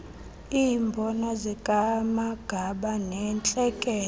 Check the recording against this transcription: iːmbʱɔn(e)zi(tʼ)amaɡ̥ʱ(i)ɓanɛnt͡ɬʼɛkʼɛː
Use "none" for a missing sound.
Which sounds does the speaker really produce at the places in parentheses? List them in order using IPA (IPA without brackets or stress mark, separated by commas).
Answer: a, kʼ, a